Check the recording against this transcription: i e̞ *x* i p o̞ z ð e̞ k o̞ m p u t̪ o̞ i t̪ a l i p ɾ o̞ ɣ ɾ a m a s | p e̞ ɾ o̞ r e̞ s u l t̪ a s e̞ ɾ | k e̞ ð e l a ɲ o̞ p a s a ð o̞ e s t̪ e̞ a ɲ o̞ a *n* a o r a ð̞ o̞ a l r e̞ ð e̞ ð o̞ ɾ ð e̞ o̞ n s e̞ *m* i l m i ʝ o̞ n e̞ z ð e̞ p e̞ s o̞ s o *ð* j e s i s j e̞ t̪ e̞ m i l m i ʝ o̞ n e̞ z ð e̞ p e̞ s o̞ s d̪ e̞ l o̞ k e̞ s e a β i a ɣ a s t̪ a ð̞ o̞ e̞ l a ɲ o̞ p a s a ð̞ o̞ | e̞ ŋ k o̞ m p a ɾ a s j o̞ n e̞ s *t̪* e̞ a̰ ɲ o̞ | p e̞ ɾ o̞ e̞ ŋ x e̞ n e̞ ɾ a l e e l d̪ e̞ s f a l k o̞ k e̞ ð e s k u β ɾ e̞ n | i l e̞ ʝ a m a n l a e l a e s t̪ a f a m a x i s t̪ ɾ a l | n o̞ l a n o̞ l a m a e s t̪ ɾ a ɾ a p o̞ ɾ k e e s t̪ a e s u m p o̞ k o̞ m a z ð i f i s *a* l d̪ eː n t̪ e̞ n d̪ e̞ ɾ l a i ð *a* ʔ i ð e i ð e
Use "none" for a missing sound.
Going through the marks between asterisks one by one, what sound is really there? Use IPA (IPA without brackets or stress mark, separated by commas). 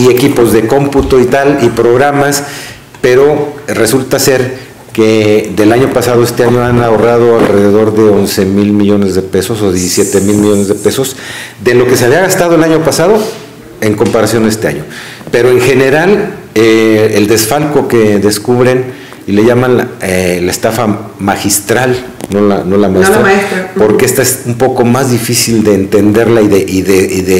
k, n, m, ð, t̪, i, e